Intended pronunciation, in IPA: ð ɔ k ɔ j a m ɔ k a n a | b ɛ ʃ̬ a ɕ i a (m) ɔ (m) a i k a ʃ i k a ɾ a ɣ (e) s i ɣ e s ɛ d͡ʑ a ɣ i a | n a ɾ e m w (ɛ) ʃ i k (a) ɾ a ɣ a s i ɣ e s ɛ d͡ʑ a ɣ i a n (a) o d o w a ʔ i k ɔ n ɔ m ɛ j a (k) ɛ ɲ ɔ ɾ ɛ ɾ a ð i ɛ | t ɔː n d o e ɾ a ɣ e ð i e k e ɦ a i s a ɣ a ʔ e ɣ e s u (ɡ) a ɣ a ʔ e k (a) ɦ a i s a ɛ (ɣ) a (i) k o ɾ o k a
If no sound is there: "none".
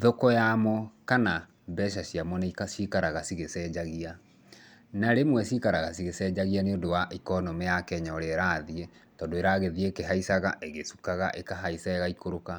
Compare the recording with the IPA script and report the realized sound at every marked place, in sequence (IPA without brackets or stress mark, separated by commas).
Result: m, n, a, ɛ, a, e, k, k, a, ɣ, i